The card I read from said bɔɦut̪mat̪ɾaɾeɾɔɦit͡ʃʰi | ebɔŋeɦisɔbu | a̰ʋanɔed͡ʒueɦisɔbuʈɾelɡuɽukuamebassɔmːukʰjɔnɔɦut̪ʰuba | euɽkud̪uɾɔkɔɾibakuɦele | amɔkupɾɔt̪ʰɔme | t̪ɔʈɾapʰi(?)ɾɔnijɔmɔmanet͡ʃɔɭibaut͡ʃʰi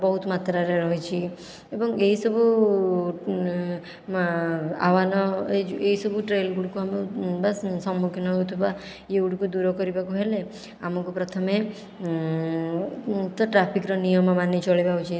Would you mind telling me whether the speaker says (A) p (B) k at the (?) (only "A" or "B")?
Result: B